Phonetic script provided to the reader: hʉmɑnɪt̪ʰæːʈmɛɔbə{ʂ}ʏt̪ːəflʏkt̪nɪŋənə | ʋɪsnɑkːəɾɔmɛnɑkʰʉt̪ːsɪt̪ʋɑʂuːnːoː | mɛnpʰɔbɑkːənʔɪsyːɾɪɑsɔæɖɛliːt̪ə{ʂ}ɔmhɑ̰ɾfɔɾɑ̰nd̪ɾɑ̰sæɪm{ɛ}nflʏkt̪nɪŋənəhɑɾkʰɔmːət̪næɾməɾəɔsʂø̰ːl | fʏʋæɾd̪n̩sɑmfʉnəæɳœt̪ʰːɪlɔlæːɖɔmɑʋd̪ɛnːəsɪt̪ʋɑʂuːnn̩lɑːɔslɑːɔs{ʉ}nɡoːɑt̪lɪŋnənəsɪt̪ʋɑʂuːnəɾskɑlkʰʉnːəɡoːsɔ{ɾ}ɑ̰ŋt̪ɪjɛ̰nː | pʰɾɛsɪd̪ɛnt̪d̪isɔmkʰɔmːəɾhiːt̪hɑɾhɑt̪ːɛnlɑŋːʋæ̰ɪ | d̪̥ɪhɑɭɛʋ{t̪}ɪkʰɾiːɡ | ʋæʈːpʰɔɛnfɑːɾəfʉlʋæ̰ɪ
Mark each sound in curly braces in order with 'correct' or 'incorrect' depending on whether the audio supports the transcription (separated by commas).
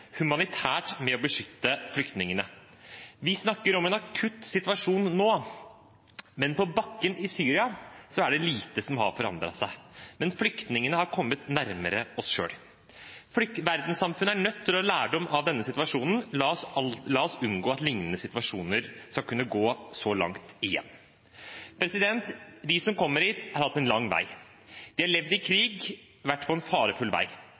correct, incorrect, correct, correct, incorrect, incorrect